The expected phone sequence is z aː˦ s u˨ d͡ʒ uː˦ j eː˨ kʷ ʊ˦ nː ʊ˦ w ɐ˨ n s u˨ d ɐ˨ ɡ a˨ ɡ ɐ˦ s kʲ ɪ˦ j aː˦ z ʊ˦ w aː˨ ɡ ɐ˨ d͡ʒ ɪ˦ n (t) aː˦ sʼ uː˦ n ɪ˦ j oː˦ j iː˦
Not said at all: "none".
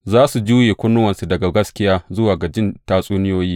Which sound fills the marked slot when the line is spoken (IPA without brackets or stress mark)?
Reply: t